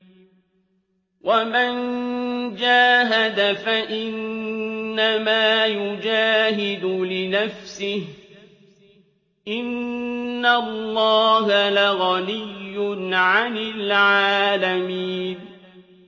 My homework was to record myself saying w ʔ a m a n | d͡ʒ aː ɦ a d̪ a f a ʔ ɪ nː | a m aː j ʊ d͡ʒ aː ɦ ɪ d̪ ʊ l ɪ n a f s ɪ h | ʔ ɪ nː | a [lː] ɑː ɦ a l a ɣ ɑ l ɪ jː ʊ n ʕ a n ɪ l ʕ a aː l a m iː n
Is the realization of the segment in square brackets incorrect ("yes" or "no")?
no